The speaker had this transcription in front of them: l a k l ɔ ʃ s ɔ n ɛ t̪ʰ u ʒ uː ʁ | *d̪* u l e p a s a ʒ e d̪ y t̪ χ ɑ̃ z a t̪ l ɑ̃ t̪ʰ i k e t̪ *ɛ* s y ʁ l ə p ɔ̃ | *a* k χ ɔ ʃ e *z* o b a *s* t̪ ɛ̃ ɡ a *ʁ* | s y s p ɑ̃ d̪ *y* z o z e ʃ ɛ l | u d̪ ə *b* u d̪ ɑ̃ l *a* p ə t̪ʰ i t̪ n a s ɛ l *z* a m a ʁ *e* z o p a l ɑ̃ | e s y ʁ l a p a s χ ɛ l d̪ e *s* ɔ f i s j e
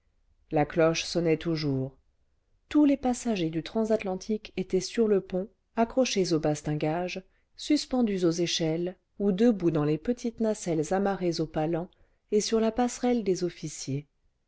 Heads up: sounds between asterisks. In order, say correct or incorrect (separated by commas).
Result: incorrect, correct, correct, correct, correct, incorrect, correct, correct, incorrect, correct, correct, incorrect